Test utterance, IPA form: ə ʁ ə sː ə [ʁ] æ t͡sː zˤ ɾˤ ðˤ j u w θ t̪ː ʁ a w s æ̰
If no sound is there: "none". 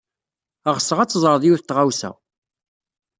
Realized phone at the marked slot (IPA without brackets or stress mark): ʁ